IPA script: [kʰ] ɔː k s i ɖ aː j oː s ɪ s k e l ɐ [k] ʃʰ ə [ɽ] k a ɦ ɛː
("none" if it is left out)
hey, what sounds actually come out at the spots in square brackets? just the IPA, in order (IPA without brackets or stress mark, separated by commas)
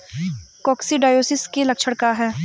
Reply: k, k, ɽ